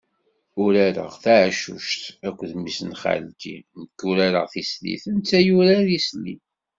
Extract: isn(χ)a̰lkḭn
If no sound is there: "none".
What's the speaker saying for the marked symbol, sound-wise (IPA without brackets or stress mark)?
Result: χ